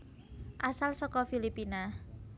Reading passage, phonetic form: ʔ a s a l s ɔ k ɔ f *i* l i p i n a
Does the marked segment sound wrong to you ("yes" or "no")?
no